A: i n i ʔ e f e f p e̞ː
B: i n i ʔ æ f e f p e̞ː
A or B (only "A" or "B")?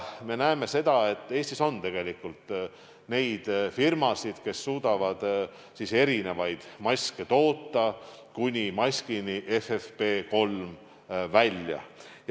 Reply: A